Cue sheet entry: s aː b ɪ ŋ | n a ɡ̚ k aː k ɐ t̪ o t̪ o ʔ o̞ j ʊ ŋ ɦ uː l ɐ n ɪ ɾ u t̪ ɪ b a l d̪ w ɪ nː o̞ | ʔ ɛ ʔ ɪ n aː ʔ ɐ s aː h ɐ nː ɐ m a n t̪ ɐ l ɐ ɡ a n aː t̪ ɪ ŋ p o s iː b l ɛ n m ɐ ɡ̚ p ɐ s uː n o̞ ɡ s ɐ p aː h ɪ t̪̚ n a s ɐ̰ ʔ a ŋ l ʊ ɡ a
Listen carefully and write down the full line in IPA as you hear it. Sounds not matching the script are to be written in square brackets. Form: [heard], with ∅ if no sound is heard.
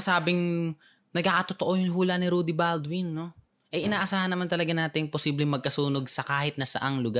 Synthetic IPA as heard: s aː b ɪ ŋ | n [ɐ] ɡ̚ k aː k ɐ t̪ o t̪ o ʔ o̞ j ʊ ŋ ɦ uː l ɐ n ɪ ɾ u [d̪] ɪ b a l d̪ w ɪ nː o̞ | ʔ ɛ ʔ ɪ n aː ʔ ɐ s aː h ɐ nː ɐ m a n t̪ ɐ l ɐ ɡ a n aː t̪ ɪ ŋ p o s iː b l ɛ [ŋ] m ɐ ɡ̚ [k] ɐ s uː n o̞ ɡ s ɐ [k] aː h ɪ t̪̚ n [ɐ] s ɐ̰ ʔ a ŋ l ʊ ɡ a